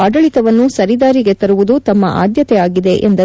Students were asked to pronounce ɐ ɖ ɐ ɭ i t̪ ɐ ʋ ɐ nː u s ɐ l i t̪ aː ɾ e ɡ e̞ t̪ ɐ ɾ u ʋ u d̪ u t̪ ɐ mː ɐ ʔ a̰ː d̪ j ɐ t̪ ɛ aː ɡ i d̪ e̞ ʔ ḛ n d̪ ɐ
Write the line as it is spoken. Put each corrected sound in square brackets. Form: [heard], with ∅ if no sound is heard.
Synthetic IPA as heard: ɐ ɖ ɐ ɭ i t̪ ɐ ʋ ɐ nː u s ɐ [ɾ] i [d̪] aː ɾ [i] ɡ e̞ t̪ ɐ ɾ u ʋ u d̪ u t̪ ɐ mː ɐ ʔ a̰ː d̪ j ɐ t̪ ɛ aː ɡ i d̪ e̞ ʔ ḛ n d̪ ɐ